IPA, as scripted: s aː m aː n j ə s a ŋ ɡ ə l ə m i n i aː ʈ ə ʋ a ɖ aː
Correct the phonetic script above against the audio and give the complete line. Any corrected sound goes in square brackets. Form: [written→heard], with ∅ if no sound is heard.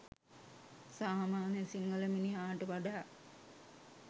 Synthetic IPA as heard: s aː m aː n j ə s [a→i] ŋ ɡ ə l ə m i n i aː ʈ ə ʋ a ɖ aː